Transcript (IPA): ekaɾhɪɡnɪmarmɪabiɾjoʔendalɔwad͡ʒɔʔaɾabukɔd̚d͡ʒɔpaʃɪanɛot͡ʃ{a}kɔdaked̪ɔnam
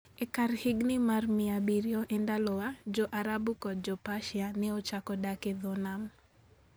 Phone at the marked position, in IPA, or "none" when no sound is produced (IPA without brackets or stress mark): a